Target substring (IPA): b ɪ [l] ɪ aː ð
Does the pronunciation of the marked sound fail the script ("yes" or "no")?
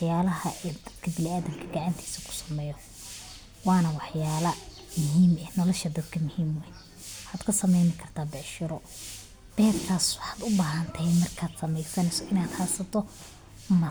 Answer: no